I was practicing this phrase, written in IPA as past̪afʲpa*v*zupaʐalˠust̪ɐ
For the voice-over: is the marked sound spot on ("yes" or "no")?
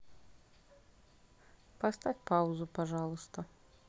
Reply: no